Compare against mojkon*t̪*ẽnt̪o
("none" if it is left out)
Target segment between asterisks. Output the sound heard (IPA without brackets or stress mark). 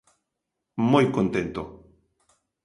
t̪